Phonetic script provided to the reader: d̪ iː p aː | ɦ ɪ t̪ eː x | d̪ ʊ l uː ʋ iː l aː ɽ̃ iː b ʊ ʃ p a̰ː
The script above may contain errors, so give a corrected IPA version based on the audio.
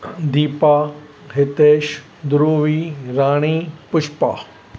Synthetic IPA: d̪ iː p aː | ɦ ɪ t̪ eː ʃ | d̪ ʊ ɾ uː ʋ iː ɾ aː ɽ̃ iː p ʊ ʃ p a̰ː